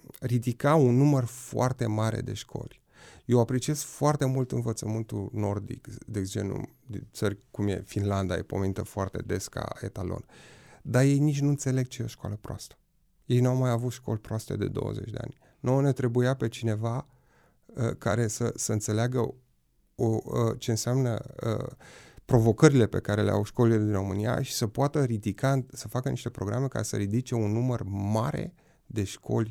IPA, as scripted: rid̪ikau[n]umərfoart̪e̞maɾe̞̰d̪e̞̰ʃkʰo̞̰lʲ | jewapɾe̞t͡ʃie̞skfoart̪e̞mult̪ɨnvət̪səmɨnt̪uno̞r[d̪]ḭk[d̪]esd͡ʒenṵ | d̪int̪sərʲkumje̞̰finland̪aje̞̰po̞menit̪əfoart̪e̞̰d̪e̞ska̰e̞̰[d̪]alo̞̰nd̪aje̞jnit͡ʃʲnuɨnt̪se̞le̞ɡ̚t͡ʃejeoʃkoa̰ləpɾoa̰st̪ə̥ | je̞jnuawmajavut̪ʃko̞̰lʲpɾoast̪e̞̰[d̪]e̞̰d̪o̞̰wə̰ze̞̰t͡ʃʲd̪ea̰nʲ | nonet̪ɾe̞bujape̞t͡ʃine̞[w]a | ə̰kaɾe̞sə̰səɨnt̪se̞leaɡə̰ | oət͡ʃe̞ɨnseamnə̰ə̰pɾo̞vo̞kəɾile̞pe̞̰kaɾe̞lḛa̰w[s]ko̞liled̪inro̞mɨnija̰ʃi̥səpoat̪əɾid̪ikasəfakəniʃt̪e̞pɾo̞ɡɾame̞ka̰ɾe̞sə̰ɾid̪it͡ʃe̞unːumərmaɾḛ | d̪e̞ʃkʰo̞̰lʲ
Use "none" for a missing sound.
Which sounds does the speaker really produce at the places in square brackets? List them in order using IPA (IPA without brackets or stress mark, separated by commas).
nː, d̪, d̪, t̪, d̪, v, ʃ